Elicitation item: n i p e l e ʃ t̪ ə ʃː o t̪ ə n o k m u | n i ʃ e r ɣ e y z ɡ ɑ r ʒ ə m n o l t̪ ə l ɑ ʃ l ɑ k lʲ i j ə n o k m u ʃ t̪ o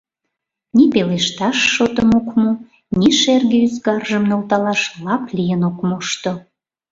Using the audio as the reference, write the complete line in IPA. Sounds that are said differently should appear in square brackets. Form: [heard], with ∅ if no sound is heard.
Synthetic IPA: n i p e l e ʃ t̪ [ɑ] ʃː o t̪ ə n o k m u | n i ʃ e r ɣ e y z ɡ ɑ r ʒ ə m n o l t̪ [ɑ] l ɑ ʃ l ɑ [p] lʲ i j ə n o k m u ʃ t̪ o